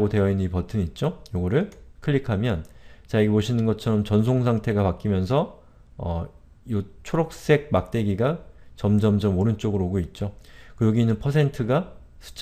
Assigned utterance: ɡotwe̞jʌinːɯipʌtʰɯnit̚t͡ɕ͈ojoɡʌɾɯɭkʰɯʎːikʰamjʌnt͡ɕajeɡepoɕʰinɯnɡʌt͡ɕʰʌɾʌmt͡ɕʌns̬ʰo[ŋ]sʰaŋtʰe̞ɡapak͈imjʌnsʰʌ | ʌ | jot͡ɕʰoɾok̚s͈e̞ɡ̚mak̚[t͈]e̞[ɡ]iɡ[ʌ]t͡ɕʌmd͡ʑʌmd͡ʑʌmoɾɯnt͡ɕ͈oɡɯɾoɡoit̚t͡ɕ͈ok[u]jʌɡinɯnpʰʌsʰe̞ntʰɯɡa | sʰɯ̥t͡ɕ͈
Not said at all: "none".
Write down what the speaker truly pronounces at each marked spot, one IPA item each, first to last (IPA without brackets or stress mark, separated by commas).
ŋ, t͈, ɡ, a, ɯ